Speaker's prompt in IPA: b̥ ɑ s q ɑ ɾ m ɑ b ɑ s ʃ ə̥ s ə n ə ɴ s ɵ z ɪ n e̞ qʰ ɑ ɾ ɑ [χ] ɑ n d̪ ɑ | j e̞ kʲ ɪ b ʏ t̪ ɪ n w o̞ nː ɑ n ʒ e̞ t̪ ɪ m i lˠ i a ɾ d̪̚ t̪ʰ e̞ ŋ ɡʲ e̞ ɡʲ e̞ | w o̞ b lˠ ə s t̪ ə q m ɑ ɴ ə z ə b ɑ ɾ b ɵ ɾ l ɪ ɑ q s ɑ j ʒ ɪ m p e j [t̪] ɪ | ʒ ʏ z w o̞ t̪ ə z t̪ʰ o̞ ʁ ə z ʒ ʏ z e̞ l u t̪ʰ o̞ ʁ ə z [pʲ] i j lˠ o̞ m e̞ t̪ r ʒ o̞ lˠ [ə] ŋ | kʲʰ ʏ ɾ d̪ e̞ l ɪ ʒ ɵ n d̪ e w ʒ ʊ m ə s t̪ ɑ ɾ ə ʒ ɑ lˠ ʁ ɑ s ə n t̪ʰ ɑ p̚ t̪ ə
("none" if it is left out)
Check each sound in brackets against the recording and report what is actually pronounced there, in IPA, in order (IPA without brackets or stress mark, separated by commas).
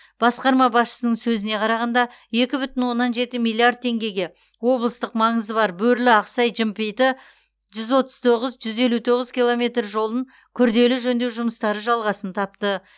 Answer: ʁ, t̪, kʲ, ə